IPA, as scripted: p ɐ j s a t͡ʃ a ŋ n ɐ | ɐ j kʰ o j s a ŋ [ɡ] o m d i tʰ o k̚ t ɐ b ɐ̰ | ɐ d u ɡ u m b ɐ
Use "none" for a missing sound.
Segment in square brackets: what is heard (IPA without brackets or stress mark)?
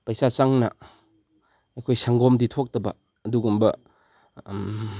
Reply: ɡ